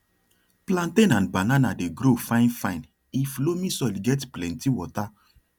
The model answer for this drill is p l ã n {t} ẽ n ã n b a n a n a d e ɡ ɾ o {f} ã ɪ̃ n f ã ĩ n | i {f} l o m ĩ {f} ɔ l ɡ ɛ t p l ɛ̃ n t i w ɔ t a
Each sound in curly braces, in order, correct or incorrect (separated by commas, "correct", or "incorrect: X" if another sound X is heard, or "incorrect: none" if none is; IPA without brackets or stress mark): correct, correct, correct, incorrect: s